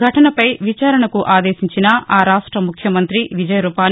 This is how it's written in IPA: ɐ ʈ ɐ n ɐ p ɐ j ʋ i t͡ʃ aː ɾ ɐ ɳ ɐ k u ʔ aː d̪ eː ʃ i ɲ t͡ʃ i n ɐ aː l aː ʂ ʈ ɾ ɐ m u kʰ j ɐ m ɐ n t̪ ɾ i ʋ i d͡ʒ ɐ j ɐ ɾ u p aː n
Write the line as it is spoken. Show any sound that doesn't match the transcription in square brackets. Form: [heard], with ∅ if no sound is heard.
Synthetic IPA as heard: ɐ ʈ ɐ n ɐ p ɐ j ʋ i t͡ʃ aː ɾ ɐ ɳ ɐ k u ʔ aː d̪ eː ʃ i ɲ t͡ʃ i n ɐ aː [ɾ] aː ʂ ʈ ɾ ɐ m u kʰ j ɐ m ɐ n t̪ ɾ i ʋ i d͡ʒ ɐ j ɐ ɾ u p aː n